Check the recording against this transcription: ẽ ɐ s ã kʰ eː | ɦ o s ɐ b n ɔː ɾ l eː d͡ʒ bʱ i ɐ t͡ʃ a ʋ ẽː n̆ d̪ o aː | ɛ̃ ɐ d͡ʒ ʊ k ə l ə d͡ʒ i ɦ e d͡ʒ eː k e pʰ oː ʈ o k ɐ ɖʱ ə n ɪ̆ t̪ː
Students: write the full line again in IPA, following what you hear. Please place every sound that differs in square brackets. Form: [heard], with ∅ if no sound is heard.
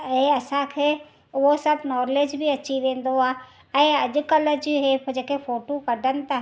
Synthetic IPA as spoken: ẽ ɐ s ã kʰ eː | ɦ o s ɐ b n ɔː ɾ l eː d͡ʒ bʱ i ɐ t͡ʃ [i] ʋ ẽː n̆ d̪ o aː | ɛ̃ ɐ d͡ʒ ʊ k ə l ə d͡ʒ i ɦ e d͡ʒ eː k e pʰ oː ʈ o k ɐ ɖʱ ə n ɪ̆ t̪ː

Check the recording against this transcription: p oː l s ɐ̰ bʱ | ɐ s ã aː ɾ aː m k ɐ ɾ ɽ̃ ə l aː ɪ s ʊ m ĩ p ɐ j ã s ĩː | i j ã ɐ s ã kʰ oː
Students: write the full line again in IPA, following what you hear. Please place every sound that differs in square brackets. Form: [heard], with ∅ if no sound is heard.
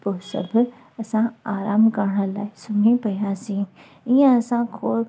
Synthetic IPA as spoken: p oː [∅] s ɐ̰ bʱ | ɐ s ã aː ɾ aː m k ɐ ɾ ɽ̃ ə l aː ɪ s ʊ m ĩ p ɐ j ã s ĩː | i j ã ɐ s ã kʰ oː

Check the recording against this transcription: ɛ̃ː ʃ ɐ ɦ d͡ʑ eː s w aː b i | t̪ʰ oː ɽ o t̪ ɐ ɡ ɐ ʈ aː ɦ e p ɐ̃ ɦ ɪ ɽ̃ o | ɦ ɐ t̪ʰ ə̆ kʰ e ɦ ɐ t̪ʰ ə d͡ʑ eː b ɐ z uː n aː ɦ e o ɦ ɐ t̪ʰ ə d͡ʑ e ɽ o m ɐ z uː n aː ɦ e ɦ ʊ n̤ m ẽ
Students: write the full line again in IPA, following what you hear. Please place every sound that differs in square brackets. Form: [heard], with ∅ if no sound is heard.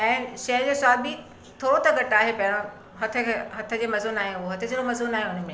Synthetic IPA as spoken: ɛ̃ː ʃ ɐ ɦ d͡ʑ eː s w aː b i | t̪ʰ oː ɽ o t̪ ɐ ɡ ɐ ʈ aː ɦ e p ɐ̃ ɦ ɪ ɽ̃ o | ɦ ɐ t̪ʰ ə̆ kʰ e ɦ ɐ t̪ʰ ə d͡ʑ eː [m] ɐ z uː n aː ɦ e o ɦ ɐ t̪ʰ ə d͡ʑ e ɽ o m ɐ z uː n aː ɦ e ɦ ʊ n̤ m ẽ

